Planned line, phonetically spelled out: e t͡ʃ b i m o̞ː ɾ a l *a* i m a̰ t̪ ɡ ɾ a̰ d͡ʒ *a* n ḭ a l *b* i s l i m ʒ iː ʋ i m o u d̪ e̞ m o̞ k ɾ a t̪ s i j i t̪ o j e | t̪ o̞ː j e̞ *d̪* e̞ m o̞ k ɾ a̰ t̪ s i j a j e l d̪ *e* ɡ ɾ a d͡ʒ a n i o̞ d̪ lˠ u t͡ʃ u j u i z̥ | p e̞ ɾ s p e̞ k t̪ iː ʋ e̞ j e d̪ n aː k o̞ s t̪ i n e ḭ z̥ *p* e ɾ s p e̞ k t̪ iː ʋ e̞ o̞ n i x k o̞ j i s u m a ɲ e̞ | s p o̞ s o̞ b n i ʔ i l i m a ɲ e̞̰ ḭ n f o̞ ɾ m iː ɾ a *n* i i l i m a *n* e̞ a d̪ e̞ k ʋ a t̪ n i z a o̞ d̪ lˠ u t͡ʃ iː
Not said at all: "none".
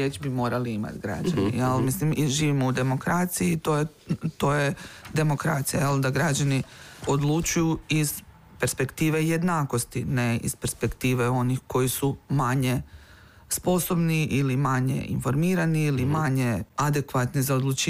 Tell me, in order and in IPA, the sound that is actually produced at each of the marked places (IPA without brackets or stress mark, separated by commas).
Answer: i, a, m, d̪, a, p, n, ɲ